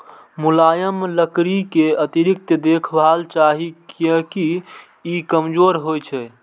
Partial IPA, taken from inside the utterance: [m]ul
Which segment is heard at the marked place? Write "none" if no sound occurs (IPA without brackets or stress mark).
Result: m